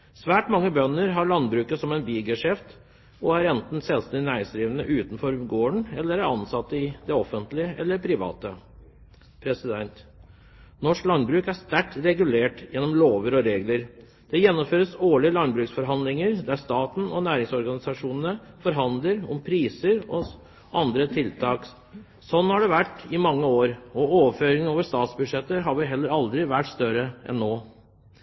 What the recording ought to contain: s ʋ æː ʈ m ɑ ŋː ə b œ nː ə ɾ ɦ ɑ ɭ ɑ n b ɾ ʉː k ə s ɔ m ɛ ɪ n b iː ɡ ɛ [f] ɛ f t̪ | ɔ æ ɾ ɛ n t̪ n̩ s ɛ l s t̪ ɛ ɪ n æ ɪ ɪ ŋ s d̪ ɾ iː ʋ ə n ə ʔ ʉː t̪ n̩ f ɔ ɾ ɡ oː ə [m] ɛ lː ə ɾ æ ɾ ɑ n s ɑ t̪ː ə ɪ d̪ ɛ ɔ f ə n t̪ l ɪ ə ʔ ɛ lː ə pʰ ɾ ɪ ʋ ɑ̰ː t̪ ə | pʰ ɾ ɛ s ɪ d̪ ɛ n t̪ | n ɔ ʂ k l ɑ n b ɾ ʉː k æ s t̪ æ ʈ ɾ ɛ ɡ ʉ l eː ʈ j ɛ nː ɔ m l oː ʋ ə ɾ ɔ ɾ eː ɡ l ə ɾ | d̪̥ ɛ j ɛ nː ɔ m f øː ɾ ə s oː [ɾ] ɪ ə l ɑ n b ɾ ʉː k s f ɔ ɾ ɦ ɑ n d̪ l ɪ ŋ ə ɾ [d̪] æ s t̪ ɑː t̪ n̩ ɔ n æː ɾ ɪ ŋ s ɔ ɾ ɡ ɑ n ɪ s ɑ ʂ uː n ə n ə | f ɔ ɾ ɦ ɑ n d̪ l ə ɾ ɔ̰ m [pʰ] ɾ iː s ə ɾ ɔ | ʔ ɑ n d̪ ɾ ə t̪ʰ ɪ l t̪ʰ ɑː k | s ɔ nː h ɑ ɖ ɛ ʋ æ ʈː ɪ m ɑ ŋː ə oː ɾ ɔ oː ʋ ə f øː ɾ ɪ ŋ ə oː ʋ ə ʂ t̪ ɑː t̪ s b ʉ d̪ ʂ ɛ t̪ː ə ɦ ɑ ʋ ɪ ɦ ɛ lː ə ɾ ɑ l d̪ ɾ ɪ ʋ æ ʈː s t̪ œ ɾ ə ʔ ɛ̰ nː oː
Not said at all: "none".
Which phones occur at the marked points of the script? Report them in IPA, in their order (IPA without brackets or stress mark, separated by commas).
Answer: ʂ, ɳ, ɭ, d̪, pʰ